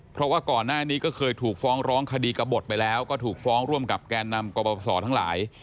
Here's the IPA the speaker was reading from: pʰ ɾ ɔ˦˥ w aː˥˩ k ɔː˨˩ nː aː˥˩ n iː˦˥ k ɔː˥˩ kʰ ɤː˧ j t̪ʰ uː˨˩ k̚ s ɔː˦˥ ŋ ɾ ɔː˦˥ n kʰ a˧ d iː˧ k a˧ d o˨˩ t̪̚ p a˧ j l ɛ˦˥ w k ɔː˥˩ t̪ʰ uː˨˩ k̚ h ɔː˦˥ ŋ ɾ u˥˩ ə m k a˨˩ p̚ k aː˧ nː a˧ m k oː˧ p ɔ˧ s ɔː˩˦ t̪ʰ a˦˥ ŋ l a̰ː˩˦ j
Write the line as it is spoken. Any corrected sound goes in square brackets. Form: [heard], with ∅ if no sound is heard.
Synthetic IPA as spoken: pʰ ɾ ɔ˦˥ w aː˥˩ k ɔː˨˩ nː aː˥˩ n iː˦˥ k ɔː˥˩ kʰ ɤː˧ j t̪ʰ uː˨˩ k̚ [f] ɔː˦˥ ŋ ɾ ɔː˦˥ [ŋ] kʰ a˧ d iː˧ k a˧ [b] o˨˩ t̪̚ p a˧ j l [ɛː˦˥] w k ɔː˥˩ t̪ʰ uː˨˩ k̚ [f] ɔː˦˥ ŋ ɾ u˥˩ ə m k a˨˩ p̚ k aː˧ nː a˧ m k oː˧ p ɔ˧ s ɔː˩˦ t̪ʰ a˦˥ ŋ l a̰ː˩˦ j